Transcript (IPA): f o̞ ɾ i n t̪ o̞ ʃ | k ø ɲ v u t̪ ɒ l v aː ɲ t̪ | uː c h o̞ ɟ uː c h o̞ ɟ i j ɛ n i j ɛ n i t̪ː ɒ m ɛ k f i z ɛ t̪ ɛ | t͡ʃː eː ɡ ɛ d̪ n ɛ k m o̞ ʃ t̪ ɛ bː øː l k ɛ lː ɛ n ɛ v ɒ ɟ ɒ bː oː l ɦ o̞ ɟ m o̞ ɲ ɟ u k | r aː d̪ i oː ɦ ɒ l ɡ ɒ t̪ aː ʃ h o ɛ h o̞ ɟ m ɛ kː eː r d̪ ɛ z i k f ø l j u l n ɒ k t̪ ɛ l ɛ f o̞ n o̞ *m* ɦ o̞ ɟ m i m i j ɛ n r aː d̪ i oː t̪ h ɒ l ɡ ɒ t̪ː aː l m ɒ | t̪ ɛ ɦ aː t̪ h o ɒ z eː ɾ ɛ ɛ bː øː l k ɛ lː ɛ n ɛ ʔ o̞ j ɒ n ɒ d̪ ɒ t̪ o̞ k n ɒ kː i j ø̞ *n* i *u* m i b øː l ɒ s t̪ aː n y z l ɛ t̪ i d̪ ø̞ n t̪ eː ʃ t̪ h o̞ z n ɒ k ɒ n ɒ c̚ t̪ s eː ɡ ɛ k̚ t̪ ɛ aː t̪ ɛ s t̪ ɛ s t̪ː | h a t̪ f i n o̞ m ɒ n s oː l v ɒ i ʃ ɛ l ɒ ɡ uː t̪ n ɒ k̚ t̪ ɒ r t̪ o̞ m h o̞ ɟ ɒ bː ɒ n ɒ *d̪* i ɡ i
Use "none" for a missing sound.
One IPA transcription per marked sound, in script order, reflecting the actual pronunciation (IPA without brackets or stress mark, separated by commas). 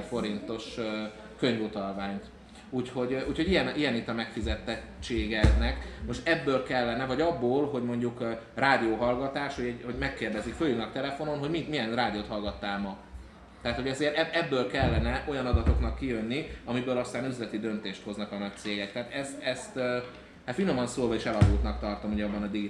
n, nː, ɒ, d̪